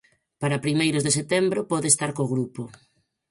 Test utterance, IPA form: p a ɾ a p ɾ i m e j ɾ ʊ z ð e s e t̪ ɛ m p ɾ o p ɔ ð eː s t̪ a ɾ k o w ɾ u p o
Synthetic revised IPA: p a ɾ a p ɾ i m e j ɾ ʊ z ð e s e t̪ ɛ m b ɾ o p ɔ ð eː s t̪ a ɾ k o ɣ ɾ u p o